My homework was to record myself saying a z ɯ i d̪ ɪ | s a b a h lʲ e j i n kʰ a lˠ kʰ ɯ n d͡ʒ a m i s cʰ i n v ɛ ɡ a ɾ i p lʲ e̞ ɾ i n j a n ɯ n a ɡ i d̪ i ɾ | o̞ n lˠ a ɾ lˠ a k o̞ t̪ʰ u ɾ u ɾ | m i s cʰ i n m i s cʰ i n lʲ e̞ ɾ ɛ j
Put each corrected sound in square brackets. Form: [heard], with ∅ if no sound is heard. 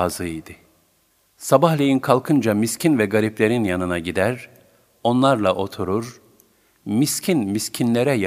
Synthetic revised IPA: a z ɯ i d̪ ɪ | s a b a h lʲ e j i n kʰ a lˠ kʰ ɯ n d͡ʒ a m i s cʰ i n v ɛ ɡ a ɾ i p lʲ e̞ ɾ i n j a n ɯ n a [ɟ] i d̪ [æ] ɾ | o̞ n lˠ a ɾ lˠ a [ʔ] o̞ t̪ʰ u ɾ u ɾ | m i s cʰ i n m i s cʰ i n lʲ e̞ ɾ ɛ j